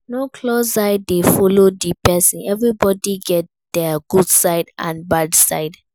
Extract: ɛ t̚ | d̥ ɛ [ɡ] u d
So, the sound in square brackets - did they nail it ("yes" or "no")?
yes